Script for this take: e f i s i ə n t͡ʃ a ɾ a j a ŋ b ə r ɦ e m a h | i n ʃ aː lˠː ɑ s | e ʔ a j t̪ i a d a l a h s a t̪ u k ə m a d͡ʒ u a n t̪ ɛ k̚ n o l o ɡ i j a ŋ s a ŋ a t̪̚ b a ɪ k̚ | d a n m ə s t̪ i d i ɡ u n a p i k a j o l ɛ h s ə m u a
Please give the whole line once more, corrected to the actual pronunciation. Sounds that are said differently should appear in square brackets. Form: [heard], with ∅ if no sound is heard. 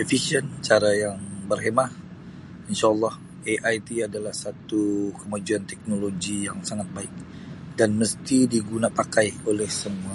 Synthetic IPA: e f i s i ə n t͡ʃ a ɾ a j a ŋ b ə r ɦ e m a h | i n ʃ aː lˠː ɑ [h] | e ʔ a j t̪ i a d a l a h s a t̪ u k ə m a d͡ʒ u a n t̪ ɛ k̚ n o l o ɡ i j a ŋ s a ŋ a t̪̚ b a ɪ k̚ | d a n m ə s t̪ i d i ɡ u n a p [a] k a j o l ɛ h s ə m u a

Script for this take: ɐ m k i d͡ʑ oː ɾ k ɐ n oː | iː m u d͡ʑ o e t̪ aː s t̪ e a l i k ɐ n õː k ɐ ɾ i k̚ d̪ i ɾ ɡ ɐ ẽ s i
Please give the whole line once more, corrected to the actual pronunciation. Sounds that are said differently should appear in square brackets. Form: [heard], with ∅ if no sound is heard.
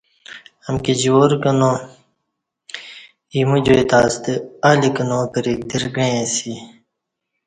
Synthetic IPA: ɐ m k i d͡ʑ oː ɾ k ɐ n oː | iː m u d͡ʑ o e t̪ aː s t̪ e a l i k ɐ n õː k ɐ ɾ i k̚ d̪ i ɾ ɡ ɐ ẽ s i

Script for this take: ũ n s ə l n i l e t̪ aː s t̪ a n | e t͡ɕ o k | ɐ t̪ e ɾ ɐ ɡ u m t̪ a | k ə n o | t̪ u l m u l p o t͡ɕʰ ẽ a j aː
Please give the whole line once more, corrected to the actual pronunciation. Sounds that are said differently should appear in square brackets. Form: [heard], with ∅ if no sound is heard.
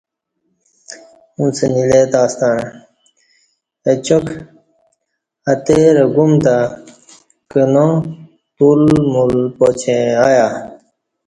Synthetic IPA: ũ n s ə [∅] n i l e t̪ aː s t̪ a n | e t͡ɕ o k | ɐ t̪ e ɾ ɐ ɡ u m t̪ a | k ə n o | t̪ u l m u l p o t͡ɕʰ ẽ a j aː

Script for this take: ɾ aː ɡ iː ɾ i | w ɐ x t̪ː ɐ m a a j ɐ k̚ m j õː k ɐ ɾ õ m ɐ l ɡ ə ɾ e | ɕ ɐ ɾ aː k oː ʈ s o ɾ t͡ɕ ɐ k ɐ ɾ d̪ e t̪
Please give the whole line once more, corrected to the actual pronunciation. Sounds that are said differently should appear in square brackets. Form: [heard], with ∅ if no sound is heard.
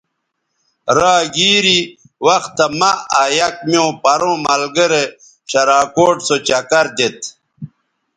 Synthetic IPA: ɾ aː ɡ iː ɾ i | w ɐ x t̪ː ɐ m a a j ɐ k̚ m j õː [p] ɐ ɾ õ m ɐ l ɡ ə ɾ e | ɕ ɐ ɾ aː k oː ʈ s o [∅] t͡ɕ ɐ k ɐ ɾ d̪ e t̪

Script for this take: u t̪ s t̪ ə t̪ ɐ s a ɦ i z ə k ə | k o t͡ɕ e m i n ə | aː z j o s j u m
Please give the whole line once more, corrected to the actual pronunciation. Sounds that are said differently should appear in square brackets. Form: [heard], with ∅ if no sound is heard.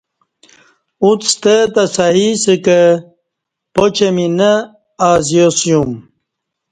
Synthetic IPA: u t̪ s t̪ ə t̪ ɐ s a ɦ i [s] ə k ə | [p] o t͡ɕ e m i n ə | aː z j o s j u m

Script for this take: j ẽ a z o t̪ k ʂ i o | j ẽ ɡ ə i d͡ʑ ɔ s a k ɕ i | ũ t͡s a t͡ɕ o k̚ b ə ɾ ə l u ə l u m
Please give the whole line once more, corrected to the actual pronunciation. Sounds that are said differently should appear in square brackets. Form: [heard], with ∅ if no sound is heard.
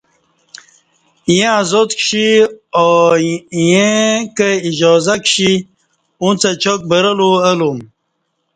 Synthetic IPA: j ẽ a z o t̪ k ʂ i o | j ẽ [k] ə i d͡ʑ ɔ [z] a k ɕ i | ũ t͡s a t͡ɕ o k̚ b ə ɾ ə l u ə l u m

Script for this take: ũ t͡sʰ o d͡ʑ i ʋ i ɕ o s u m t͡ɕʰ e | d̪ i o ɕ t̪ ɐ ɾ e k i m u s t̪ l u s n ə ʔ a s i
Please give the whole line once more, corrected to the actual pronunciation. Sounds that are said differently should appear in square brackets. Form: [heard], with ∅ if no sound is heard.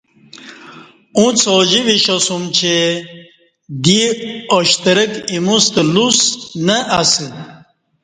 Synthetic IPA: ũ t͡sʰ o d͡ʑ i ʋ i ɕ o s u m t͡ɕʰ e | d̪ i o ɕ t̪ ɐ ɾ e k i m u s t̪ l u s n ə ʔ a s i

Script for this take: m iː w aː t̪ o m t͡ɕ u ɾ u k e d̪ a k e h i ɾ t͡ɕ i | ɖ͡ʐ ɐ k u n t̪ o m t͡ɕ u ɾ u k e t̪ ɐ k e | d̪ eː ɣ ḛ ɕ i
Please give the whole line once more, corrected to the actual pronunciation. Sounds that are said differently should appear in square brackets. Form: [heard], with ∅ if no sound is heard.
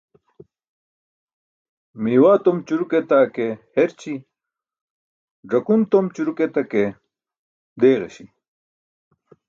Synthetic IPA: m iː w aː t̪ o m t͡ɕ u ɾ u k e [t̪] a k e h [e] ɾ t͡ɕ i | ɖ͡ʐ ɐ k u n t̪ o m t͡ɕ u ɾ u k e t̪ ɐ k e | d̪ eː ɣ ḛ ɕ i

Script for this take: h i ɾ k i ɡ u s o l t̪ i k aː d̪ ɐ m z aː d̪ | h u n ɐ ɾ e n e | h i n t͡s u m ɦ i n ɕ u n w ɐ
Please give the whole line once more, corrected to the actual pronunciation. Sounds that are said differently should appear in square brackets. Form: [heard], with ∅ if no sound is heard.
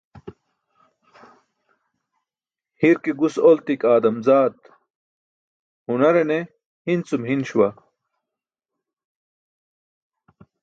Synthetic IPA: h i ɾ k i ɡ u s o l t̪ i k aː d̪ ɐ m z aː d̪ | h u n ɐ ɾ e n e | h i n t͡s u m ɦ i n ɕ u [∅] w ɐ

